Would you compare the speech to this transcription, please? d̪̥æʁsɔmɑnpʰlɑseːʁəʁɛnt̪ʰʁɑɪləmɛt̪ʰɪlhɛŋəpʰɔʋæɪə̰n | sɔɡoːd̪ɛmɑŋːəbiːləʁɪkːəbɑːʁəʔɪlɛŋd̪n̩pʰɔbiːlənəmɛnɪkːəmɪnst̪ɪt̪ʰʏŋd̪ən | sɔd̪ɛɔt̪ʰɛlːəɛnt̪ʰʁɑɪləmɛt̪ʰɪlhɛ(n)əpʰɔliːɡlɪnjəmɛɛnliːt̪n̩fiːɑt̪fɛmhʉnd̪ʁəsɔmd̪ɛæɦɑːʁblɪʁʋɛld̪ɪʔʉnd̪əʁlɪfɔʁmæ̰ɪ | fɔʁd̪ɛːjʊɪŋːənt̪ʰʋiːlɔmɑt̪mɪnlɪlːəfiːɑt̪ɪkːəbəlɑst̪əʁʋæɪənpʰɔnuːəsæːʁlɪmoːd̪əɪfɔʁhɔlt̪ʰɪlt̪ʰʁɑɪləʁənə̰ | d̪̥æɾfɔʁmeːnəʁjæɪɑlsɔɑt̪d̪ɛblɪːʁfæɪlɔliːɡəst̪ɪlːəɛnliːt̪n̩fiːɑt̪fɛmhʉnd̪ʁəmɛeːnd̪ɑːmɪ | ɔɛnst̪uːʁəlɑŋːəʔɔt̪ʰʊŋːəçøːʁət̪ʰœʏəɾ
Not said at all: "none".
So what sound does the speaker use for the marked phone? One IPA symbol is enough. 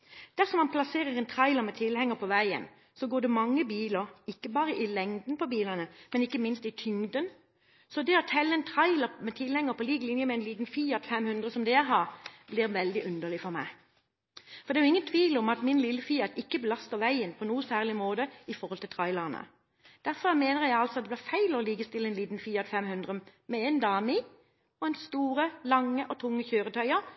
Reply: ŋ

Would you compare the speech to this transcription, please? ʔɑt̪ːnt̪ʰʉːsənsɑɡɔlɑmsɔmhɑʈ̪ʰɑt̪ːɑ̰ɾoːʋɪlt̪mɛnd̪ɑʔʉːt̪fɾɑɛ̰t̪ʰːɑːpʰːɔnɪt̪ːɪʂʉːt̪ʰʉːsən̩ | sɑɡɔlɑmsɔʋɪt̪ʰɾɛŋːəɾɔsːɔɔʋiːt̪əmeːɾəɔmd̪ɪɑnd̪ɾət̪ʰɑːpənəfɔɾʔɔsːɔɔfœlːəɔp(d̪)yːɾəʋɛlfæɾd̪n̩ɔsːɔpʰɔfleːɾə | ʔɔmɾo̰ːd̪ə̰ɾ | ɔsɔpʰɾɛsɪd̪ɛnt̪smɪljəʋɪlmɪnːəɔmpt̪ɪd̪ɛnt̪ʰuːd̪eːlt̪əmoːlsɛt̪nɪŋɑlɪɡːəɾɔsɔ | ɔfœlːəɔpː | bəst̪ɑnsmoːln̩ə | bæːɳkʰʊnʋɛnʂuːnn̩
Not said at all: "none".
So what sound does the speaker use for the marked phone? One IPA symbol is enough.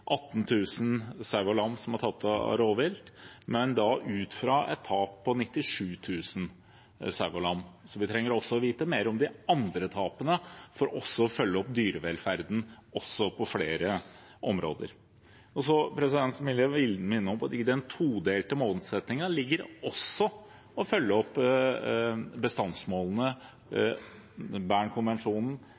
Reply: d̪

